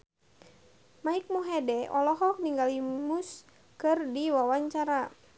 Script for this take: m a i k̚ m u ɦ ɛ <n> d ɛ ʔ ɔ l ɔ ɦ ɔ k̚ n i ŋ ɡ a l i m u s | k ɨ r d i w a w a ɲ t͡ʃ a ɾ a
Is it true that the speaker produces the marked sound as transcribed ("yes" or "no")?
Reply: no